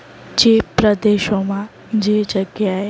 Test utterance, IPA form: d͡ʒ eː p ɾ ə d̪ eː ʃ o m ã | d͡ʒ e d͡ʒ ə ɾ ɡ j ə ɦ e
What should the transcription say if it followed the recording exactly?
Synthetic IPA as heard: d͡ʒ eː p ɾ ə d̪ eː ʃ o m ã | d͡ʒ e d͡ʒ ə ɡ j a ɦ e